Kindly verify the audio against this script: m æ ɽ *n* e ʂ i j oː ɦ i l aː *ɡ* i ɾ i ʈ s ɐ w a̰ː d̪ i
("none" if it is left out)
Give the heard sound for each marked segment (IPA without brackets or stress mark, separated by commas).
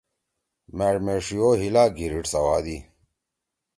m, ɡ